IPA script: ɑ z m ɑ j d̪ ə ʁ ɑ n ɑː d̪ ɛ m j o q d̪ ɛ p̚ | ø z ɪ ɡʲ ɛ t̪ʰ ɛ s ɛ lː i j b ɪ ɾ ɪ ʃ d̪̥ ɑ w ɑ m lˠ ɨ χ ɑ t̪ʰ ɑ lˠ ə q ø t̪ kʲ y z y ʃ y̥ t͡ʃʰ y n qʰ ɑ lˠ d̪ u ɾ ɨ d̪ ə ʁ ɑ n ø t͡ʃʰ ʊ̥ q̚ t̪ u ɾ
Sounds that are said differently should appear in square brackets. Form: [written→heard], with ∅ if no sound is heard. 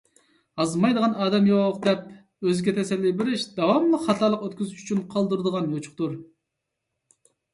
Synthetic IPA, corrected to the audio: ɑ z m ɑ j d̪ ə ʁ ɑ n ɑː d̪ ɛ m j o q d̪ ɛ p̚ | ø z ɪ ɡʲ ɛ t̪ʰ ɛ s ɛ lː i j b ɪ ɾ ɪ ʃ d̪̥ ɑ w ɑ m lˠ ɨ χ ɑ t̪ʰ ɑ lˠ ə q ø t̪ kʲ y z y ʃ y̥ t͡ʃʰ y n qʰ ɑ lˠ d̪ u ɾ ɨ d̪ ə ʁ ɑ n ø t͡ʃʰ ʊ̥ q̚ t̪ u ɾ